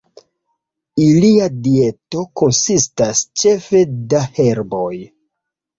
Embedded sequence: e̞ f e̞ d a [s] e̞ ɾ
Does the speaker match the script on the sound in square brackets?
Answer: no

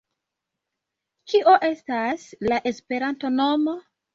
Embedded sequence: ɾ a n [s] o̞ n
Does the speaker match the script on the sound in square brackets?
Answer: no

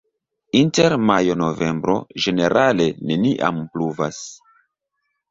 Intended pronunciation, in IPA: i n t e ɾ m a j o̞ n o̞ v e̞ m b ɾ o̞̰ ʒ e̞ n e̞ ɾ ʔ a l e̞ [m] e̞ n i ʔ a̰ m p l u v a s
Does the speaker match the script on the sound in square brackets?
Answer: no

